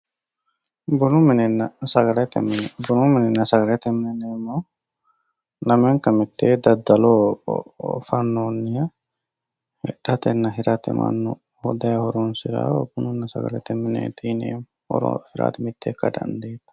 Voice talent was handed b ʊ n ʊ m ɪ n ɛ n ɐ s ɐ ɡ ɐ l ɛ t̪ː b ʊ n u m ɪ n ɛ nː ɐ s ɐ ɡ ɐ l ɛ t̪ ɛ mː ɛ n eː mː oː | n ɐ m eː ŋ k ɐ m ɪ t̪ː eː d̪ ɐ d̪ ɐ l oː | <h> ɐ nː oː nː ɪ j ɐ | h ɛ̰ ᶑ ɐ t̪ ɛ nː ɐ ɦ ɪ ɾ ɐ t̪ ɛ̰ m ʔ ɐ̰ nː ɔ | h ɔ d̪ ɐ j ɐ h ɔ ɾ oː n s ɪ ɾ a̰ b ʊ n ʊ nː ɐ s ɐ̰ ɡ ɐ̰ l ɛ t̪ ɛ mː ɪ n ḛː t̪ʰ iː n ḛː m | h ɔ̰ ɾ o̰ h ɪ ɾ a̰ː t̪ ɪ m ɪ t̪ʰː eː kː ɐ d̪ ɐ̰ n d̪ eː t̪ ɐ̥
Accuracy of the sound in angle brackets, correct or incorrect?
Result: incorrect: f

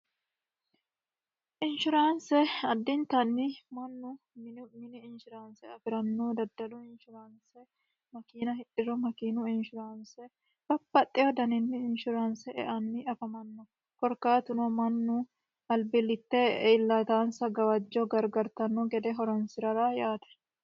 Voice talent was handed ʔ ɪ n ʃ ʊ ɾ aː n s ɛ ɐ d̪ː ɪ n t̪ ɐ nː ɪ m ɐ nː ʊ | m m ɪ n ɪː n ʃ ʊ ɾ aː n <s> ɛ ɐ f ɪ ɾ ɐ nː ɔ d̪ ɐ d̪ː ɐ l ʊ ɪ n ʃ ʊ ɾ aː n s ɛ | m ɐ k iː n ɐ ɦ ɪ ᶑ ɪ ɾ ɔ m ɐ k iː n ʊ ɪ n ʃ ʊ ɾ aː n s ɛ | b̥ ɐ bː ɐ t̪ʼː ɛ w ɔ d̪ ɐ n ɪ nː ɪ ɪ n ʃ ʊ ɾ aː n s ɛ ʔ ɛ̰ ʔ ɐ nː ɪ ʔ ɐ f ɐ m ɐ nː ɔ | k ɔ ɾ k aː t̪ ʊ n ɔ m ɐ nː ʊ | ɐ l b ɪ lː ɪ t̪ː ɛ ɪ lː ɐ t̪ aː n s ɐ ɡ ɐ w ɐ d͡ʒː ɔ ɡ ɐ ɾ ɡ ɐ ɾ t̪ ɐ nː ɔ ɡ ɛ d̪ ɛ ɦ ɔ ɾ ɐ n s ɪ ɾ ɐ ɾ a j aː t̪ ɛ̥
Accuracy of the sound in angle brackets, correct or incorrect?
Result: correct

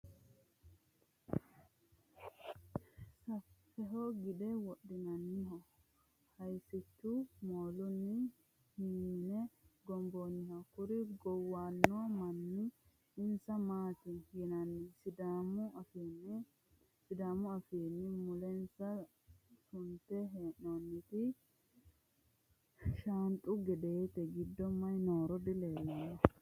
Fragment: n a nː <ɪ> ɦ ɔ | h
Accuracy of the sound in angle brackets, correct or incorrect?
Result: incorrect: i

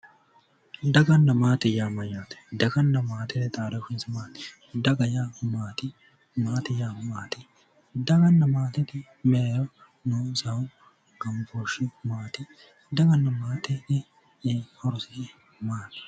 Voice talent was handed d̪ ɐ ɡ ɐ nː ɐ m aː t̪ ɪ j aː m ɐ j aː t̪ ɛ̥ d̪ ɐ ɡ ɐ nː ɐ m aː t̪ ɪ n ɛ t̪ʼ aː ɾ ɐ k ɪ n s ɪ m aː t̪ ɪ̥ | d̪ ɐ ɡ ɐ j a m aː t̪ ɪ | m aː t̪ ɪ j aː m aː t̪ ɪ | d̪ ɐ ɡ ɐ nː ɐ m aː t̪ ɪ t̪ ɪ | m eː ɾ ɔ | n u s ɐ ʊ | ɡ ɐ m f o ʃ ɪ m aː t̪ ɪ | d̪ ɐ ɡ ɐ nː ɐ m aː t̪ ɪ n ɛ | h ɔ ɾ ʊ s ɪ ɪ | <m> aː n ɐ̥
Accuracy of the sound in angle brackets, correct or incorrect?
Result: correct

